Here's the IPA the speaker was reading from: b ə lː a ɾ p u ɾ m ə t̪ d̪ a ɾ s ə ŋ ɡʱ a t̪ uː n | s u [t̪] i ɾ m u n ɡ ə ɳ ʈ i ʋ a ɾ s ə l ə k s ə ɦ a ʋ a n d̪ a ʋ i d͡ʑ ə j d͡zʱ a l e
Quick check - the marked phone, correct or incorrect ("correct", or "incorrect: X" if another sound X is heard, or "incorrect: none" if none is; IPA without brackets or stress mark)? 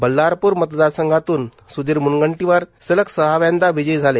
incorrect: d̪